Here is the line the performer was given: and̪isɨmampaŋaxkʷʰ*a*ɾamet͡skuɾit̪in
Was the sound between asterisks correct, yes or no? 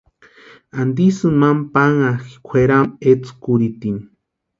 no